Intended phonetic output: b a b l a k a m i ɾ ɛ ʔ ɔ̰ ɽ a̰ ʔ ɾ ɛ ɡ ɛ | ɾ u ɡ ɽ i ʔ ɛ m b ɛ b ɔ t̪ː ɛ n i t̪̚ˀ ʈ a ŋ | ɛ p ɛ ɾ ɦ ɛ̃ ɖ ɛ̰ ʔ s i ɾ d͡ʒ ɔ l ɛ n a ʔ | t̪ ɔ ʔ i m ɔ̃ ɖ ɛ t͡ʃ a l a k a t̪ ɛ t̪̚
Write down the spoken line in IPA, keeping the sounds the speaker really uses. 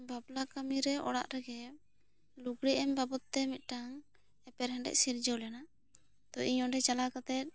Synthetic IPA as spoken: b a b l a k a m i ɾ ɛ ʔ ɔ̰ ɽ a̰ ʔ ɾ ɛ ɡ ɛ | l u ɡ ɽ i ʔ ɛ m b a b ɔ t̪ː ɛ m i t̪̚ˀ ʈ a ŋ | ɛ p ɛ ɾ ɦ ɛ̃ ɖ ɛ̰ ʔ s i ɾ d͡ʒ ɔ l ɛ n a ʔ | t̪ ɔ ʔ i ɲ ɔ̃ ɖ ɛ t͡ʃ a l a k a t̪ ɛ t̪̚